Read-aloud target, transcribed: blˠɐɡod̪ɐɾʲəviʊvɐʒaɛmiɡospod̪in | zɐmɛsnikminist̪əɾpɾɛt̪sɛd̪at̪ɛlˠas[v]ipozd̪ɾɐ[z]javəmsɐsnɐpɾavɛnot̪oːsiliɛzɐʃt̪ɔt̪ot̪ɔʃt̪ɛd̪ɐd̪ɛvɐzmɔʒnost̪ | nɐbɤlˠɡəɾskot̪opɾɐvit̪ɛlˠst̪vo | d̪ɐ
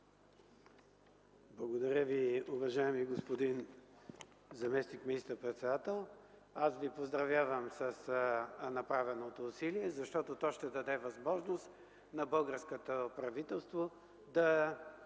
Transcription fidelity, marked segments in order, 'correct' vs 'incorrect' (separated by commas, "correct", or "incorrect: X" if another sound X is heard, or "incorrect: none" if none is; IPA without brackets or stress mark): correct, incorrect: v